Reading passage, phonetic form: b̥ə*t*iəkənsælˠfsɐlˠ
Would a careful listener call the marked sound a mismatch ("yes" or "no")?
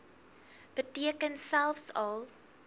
no